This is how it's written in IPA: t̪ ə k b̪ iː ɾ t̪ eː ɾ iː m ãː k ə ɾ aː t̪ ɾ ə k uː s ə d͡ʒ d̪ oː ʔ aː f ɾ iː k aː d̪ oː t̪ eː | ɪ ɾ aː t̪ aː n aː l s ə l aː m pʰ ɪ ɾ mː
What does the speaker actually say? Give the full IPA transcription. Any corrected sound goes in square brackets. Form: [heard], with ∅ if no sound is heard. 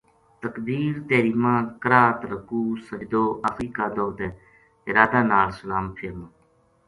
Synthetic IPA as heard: t̪ ə k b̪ iː ɾ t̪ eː ɾ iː m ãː k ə ɾ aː t̪ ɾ ə k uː s ə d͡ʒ d̪ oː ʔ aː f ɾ iː k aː d̪ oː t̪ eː | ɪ ɾ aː [d̪] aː n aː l s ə l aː m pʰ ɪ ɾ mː